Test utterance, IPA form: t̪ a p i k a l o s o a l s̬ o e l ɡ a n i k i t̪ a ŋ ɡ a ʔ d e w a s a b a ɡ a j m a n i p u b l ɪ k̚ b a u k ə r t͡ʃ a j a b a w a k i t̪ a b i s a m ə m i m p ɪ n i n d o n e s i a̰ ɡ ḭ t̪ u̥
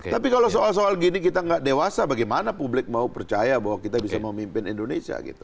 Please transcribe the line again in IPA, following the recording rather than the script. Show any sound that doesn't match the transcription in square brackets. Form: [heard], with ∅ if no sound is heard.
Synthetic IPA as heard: t̪ a p i k a l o s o a l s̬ o [a] l ɡ [i] n i k i t̪ a ŋ ɡ a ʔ d e w a s a b a ɡ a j m a n [a] p u b l ɪ k̚ [m] a u [p] ə r t͡ʃ a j a b a w a k i t̪ a b i s a m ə m i m p ɪ n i n d o n e s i a̰ ɡ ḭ t̪ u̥